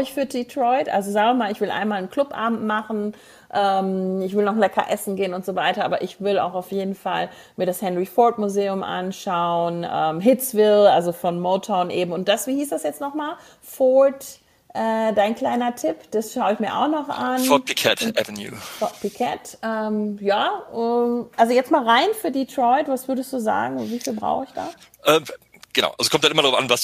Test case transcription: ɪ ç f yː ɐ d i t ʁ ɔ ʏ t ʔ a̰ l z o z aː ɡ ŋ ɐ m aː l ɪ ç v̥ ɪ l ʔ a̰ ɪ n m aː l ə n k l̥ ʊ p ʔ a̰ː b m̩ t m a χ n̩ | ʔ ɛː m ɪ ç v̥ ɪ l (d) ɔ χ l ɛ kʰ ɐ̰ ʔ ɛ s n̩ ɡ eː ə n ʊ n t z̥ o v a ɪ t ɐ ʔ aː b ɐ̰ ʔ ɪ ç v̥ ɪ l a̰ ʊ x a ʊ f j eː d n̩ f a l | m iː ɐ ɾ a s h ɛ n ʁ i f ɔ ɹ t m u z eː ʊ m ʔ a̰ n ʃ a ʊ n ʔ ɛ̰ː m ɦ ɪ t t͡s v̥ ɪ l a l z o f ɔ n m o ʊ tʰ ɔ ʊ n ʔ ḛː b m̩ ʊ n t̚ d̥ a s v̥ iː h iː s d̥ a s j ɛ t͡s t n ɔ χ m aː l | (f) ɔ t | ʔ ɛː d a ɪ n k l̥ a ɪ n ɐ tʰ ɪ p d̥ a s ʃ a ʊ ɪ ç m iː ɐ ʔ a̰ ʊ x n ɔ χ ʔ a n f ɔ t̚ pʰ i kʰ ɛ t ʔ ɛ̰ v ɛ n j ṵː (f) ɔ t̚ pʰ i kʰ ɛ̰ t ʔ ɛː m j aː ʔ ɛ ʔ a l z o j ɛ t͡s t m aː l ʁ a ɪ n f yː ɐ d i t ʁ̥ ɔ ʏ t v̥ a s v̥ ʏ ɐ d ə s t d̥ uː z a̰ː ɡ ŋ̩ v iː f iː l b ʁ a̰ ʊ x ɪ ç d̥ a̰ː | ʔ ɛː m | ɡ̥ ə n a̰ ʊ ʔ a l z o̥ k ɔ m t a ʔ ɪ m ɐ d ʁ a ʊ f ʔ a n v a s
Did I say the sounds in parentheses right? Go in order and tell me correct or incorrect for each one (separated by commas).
incorrect, correct, correct